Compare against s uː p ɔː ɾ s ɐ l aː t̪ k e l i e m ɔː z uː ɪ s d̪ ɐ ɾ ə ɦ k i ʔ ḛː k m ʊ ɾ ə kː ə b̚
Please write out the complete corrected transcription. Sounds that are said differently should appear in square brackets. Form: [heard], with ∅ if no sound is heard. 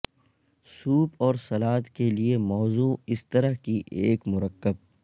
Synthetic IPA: s uː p ɔː ɾ s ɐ l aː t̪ k e l i e m ɔː z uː ɪ s [t̪] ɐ ɾ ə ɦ k i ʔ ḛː k m ʊ ɾ ə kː ə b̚